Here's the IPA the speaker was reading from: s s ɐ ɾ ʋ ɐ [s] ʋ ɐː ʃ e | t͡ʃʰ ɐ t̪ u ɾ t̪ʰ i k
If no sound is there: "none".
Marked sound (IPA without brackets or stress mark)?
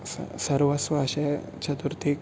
s